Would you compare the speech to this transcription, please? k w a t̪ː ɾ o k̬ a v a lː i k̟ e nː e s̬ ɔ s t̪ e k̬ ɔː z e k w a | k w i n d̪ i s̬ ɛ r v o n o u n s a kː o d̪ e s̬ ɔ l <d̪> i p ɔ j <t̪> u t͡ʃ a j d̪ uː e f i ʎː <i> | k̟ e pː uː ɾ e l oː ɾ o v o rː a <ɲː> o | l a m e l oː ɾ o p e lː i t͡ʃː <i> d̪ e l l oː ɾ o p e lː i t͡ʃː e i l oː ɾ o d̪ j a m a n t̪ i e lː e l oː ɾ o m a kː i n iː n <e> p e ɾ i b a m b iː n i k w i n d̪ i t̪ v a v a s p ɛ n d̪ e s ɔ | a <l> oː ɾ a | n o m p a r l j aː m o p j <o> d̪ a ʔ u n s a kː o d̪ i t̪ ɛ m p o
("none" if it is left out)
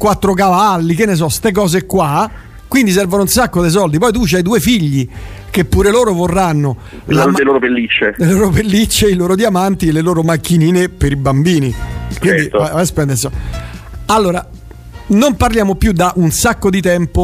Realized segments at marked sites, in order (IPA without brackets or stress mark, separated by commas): d̪, t̪, i, nː, e, e, lː, u